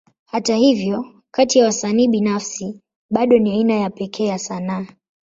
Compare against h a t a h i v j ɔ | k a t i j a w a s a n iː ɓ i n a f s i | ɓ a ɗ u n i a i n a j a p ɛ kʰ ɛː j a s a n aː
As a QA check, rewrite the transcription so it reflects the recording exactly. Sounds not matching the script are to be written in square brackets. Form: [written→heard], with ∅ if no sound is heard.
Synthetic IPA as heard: h a t a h i v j ɔ | k a t i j a w a s a n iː ɓ i n a f s i | ɓ a ɗ [u→ɔ] n i a i n a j a p ɛ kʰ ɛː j a s a n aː